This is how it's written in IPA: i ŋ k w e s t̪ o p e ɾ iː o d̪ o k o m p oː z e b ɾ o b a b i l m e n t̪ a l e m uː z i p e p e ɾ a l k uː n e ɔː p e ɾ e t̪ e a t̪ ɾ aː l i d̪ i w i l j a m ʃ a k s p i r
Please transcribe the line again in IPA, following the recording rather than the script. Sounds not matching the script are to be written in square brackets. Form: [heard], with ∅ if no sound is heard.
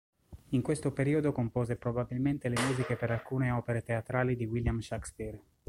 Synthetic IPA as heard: i ŋ k w e s t̪ o p e ɾ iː o d̪ o k o m p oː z e [p] ɾ o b a b i l m e n t̪ [e] l e m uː z i [k] e p e ɾ a l k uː n e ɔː p e ɾ e t̪ e a t̪ ɾ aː l i d̪ i w i l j a m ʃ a k s p i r